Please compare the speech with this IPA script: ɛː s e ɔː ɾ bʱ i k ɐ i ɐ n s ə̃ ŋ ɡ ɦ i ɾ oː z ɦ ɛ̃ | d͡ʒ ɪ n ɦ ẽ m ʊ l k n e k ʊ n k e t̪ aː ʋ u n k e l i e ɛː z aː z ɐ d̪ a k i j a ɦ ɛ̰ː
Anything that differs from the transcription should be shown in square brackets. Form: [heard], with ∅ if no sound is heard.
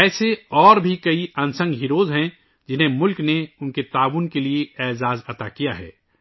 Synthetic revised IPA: ɛː s e ɔː ɾ bʱ i k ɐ i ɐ n s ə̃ ŋ ɡ ɦ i ɾ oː z ɦ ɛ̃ | d͡ʒ ɪ n ɦ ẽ m ʊ l k n e [∅] ʊ n k e t̪ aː ʋ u n k e l i e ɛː z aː z ɐ [t̪] a k i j a ɦ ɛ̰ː